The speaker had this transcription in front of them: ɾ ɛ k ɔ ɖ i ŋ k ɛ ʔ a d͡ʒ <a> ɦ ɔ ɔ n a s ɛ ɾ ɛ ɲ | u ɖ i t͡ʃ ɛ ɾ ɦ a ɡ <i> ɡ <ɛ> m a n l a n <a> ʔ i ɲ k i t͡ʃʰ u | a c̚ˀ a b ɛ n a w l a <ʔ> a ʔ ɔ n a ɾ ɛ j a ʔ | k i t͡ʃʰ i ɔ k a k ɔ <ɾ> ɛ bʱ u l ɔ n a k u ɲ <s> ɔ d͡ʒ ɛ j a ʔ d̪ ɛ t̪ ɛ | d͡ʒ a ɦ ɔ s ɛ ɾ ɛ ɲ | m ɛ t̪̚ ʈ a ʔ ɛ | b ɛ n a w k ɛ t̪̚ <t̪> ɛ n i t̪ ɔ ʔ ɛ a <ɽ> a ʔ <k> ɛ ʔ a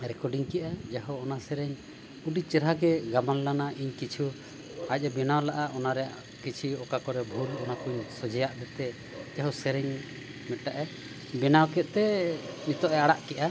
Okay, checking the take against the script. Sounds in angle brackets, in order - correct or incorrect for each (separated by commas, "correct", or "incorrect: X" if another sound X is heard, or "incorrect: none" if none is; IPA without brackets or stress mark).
correct, incorrect: ɛ, incorrect: a, correct, correct, correct, correct, correct, correct, correct